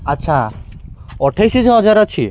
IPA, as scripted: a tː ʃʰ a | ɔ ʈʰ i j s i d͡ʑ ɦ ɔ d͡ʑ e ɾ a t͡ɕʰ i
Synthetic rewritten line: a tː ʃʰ a | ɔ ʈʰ a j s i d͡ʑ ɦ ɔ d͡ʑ a ɾ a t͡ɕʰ i